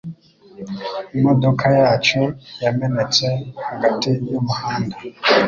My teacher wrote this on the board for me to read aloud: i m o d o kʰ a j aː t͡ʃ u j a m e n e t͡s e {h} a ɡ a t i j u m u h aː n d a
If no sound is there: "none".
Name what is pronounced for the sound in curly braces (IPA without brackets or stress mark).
h